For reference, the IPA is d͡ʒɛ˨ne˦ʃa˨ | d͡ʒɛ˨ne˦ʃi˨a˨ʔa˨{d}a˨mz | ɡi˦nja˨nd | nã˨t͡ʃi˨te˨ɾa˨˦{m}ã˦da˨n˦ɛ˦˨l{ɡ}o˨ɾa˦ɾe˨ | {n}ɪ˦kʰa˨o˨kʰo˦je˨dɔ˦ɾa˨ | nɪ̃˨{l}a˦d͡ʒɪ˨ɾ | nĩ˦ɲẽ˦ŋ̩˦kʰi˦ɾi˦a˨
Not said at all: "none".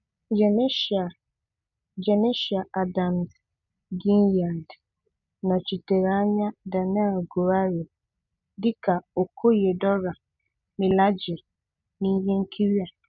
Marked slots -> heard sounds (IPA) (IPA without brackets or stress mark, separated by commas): d, ɲ, ɡ, d, l